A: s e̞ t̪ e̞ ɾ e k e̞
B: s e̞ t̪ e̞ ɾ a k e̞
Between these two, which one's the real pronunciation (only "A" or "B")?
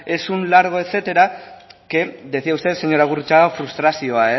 B